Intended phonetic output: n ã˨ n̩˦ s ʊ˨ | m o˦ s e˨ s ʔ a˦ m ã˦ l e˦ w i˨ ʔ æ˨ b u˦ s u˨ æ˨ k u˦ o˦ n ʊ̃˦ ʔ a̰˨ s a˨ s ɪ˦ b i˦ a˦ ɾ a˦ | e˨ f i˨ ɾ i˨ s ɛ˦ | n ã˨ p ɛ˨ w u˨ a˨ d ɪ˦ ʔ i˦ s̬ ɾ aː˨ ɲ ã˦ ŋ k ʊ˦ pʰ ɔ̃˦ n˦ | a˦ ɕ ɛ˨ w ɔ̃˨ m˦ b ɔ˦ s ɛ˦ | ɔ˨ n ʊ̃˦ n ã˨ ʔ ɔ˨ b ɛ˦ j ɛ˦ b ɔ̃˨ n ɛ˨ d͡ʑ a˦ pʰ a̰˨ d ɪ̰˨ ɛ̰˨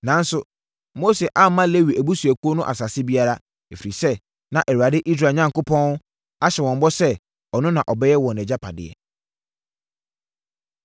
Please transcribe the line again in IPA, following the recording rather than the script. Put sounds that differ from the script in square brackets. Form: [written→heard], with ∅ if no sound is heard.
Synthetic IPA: n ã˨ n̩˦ s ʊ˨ | m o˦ s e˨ [s→∅] ʔ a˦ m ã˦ l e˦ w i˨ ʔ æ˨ b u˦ s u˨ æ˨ k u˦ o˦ n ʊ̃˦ ʔ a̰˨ s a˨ s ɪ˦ b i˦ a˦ ɾ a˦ | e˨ f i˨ ɾ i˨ s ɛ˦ | n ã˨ [p→ʔ] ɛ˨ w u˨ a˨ d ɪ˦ ʔ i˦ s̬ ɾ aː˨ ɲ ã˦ ŋ k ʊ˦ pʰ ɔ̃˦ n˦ | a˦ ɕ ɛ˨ w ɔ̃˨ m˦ b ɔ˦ s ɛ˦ | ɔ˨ n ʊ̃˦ n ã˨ ʔ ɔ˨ b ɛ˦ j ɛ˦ [b→w] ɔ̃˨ n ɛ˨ d͡ʑ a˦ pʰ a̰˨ d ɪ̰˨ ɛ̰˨